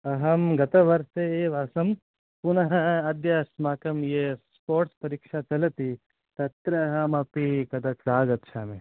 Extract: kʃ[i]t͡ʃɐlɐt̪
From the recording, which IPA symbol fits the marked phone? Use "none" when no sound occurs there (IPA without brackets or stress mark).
a